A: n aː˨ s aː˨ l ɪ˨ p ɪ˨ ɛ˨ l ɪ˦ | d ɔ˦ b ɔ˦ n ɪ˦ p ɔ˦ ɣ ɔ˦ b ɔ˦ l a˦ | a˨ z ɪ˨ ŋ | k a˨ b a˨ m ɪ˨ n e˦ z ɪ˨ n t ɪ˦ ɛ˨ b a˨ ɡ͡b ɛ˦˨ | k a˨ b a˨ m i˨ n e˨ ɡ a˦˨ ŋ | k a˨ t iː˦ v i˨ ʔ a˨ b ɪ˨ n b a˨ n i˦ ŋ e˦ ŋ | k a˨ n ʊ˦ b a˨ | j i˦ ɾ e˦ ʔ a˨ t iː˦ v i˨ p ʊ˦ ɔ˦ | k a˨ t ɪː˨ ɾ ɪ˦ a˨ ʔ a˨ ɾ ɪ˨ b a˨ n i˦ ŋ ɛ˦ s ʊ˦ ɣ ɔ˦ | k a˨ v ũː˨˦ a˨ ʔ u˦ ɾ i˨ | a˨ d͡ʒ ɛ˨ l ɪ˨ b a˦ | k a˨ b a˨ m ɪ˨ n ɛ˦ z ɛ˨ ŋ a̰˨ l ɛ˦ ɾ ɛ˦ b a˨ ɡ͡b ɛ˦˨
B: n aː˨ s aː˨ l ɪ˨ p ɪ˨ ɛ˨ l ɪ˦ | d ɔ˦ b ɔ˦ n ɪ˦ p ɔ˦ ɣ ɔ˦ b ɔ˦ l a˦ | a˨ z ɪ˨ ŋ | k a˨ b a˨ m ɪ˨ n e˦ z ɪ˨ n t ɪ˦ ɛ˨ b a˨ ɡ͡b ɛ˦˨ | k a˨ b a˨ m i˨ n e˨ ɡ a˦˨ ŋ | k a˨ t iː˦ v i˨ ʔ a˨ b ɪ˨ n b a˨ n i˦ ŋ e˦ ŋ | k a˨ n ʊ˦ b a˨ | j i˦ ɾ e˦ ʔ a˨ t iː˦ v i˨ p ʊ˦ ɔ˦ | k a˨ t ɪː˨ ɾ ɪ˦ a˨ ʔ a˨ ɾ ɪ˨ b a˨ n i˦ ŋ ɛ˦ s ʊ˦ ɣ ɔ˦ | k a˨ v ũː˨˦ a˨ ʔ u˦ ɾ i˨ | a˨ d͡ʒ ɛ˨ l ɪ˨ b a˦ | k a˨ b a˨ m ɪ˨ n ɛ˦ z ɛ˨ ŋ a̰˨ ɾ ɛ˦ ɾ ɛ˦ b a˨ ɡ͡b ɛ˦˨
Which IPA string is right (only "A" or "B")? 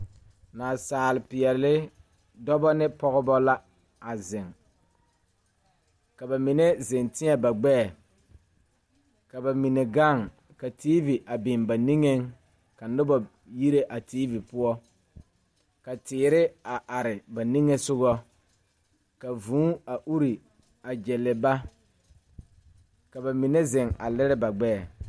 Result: A